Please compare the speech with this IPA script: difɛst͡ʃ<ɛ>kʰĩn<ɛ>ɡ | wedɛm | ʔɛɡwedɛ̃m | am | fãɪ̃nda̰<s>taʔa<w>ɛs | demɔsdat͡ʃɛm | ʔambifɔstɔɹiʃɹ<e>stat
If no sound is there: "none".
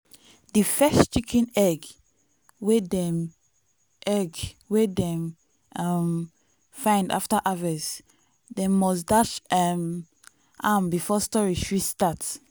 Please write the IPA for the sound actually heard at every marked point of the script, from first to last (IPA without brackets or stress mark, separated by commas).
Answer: i, ɛ, f, v, i